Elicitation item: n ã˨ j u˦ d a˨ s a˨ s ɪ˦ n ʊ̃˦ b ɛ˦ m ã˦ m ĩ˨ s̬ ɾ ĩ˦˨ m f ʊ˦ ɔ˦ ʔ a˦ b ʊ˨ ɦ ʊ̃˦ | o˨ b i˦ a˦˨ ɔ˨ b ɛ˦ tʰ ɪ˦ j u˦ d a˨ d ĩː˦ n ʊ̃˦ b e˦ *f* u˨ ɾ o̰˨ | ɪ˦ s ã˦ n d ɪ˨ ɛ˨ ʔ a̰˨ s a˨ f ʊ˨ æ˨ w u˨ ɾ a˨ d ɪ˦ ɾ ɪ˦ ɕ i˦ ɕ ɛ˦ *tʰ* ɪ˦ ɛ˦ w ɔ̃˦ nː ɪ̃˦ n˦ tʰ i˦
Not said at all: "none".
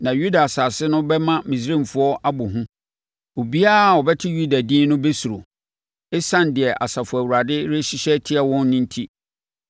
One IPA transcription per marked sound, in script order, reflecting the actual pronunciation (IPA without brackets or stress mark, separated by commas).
s, tʰ